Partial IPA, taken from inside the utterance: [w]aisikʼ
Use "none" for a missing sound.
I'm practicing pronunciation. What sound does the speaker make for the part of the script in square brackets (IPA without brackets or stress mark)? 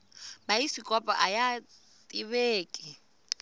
b